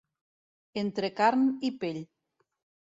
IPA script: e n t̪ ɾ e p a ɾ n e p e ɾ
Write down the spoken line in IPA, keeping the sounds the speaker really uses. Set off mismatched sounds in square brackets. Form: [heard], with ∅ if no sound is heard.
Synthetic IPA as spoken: e n t̪ ɾ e [k] a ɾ n [i] p e [ʎ]